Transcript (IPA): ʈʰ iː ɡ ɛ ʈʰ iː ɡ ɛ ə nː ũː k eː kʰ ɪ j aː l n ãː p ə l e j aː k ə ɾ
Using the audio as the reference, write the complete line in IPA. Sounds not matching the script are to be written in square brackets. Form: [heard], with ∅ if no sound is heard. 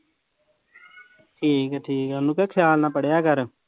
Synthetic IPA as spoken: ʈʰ iː [k] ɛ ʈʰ iː [k] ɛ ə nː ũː k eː kʰ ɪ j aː l n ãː p ə [ɽ] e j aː k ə ɾ

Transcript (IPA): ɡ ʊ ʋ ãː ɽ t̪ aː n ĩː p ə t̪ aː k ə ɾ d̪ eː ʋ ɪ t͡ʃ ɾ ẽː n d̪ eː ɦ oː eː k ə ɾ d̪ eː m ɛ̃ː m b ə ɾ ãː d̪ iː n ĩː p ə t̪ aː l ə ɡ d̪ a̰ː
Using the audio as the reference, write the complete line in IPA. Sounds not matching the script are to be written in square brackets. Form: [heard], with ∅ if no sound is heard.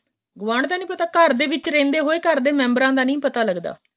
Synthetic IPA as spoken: ɡ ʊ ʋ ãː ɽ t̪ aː n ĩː p ə t̪ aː k ə ɾ d̪ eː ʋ ɪ t͡ʃ ɾ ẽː n d̪ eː ɦ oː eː k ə ɾ d̪ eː m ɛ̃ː m b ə ɾ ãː d̪ [aː] n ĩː p ə t̪ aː l ə ɡ d̪ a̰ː

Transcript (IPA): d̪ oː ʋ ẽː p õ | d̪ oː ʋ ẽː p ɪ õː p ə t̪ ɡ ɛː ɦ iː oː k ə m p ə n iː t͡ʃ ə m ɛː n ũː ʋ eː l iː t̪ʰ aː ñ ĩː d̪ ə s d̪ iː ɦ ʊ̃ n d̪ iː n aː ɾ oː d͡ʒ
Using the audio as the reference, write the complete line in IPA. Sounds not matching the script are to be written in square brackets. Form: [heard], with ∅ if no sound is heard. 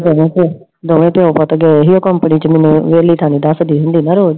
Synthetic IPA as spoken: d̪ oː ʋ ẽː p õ | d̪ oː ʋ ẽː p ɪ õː p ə t̪ ɡ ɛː ɦ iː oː k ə m p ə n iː t͡ʃ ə m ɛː n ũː ʋ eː l iː t̪ʰ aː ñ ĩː d̪ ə s d̪ iː ɦ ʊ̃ n d̪ iː n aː ɾ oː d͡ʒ

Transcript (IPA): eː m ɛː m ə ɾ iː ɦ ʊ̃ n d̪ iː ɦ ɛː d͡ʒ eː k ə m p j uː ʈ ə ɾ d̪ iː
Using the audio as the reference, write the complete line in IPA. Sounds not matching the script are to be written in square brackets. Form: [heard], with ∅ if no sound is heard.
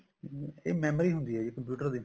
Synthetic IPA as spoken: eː m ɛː m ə ɾ iː ɦ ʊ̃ n d̪ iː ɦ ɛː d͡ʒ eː k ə m p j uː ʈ ə ɾ d̪ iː

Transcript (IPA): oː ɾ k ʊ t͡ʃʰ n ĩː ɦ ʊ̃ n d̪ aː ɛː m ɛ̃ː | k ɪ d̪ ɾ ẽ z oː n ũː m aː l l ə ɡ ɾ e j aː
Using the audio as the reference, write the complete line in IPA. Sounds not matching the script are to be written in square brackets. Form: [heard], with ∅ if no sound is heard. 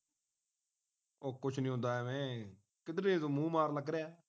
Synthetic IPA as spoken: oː [∅] k ʊ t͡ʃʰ n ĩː ɦ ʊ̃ n d̪ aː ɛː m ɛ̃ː | k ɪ d̪ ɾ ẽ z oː [m] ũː m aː [ɾ] l ə ɡ ɾ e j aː

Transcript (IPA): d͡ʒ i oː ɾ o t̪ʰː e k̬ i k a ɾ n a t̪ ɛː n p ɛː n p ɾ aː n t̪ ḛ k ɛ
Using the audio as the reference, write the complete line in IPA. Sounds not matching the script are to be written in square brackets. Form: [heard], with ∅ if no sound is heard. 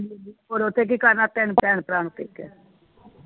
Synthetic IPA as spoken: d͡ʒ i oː ɾ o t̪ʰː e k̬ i k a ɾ n a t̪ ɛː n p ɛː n p ɾ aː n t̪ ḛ k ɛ

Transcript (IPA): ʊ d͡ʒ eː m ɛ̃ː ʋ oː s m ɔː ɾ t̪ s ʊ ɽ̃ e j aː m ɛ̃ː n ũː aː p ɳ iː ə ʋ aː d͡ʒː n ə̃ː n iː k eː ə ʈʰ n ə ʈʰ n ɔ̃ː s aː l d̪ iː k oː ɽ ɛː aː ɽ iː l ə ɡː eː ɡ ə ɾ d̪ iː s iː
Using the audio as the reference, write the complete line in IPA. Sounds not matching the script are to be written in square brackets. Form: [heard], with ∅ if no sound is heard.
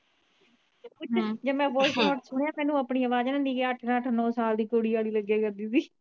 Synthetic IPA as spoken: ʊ d͡ʒ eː m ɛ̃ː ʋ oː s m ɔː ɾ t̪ s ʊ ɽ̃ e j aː m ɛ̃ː n ũː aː p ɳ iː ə ʋ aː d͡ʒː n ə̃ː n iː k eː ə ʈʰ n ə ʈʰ n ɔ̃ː s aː l d̪ iː k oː ɽ [iː] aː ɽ iː l ə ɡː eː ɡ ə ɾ d̪ iː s iː

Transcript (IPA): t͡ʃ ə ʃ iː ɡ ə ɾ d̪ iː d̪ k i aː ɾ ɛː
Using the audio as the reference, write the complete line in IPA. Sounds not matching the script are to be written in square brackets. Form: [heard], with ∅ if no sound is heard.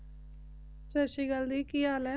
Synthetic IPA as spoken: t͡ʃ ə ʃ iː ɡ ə [l] d̪ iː [∅] k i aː [l] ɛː

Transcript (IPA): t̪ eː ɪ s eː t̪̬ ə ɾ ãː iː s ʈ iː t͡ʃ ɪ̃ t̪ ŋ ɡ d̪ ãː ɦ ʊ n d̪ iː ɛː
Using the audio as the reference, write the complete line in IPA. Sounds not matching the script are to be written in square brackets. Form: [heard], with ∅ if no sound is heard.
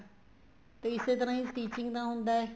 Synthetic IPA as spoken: t̪ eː ɪ s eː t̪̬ ə ɾ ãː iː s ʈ iː t͡ʃ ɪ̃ [∅] ŋ ɡ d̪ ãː ɦ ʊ n d̪ [aː] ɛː

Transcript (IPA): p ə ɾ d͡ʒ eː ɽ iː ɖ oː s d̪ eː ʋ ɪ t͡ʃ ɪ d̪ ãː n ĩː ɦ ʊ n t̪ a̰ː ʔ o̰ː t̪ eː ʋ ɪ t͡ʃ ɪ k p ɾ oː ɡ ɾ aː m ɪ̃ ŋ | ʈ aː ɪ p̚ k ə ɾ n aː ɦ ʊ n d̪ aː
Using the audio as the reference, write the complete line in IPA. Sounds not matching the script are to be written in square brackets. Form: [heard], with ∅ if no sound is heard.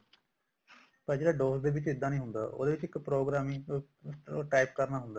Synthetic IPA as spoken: p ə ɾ d͡ʒ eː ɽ [aː] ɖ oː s d̪ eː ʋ ɪ t͡ʃ ɪ d̪ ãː n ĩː ɦ ʊ n [d̪] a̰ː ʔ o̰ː [d̪] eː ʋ ɪ t͡ʃ ɪ k p ɾ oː ɡ ɾ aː m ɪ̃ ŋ | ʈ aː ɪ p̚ k ə ɾ n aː ɦ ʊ n d̪ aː

